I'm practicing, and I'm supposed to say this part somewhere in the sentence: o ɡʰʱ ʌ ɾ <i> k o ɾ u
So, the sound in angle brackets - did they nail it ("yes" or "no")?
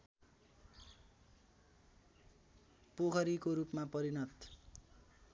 yes